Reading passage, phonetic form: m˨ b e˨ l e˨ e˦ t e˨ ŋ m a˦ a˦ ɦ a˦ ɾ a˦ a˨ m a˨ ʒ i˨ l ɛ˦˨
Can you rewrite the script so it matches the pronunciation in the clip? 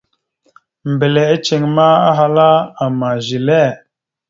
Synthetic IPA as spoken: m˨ b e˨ l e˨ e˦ t͡ʃ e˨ ŋ m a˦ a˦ ɦ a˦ l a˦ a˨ m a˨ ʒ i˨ l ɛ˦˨